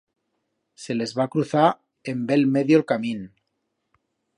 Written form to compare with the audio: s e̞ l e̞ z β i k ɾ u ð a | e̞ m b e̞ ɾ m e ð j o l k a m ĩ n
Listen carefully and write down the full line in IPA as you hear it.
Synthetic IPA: s e̞ l e̞ z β a k ɾ u θ a | e̞ m b e̞ l m e ð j o l k a m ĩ n